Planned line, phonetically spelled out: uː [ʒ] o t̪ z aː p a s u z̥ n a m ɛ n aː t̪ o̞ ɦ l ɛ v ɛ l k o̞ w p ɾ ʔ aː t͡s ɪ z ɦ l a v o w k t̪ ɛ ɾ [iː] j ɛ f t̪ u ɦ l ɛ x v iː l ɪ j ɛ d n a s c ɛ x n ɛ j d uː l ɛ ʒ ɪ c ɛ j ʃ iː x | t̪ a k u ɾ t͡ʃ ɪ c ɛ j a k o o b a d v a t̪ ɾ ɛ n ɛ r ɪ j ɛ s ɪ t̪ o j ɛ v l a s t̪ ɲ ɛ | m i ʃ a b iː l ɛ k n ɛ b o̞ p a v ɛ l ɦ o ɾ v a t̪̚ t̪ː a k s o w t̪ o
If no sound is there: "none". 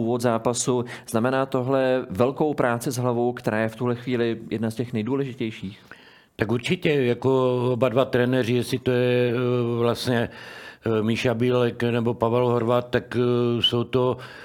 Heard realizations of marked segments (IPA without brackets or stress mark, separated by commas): v, aː